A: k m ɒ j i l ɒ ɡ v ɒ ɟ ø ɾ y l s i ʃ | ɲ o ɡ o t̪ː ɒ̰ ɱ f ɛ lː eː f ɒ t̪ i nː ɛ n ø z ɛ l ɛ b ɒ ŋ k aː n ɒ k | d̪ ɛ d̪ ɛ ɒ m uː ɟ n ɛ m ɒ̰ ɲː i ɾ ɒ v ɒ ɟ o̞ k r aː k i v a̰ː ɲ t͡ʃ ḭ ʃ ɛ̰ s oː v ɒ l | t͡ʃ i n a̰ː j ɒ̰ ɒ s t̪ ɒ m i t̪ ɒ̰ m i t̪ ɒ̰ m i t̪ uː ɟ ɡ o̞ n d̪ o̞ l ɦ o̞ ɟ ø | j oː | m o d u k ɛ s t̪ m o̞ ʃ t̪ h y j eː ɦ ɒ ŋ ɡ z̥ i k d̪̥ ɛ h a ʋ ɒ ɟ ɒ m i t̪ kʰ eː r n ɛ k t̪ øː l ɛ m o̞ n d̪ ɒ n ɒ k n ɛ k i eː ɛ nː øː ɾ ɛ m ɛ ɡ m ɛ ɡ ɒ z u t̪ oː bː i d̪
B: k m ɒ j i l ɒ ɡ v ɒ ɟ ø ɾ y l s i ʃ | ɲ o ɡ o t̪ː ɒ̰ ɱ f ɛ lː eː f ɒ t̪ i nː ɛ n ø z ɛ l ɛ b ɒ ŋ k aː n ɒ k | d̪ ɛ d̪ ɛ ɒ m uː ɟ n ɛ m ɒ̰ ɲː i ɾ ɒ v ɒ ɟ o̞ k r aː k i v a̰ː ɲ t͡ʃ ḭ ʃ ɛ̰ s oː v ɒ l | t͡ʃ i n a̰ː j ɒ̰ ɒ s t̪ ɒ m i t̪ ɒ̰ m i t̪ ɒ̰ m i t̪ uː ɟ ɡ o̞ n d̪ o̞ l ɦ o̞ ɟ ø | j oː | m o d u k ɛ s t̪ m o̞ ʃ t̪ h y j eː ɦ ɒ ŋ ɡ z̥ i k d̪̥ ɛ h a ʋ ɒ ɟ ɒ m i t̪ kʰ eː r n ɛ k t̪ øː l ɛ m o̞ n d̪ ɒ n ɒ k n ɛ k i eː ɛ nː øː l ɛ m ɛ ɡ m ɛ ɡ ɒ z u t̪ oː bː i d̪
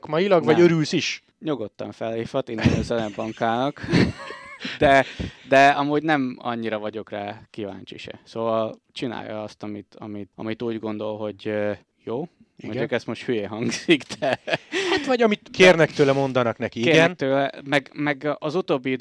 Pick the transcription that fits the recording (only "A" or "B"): B